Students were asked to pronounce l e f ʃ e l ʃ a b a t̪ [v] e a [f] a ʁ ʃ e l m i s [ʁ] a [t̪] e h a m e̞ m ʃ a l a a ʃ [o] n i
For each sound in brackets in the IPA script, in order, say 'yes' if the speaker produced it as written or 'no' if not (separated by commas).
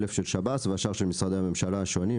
yes, no, yes, no, yes